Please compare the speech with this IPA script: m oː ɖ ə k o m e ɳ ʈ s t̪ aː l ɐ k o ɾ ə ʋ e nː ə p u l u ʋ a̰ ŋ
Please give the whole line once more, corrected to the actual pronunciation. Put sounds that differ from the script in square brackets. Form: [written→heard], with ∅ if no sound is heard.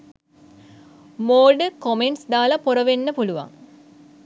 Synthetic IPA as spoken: m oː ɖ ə k o m e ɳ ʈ s [t̪→d̪] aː l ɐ [k→p] o ɾ ə ʋ e nː ə p u l u ʋ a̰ ŋ